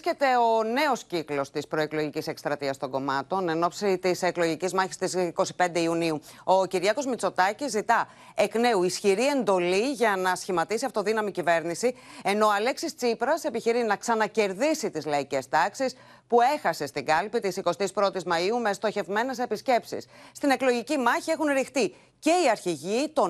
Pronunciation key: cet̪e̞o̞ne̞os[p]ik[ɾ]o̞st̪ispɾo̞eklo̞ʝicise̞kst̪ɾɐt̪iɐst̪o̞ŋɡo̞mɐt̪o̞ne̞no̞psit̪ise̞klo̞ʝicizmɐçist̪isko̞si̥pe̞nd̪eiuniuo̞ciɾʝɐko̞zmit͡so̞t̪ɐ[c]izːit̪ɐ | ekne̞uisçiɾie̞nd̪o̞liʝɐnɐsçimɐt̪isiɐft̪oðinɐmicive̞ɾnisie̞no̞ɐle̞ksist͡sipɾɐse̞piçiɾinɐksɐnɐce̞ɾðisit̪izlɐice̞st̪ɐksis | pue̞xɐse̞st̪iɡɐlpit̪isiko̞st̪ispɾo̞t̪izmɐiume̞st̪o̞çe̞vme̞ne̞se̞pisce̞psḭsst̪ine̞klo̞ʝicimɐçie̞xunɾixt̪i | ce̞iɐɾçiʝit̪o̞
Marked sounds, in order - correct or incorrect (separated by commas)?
incorrect, incorrect, correct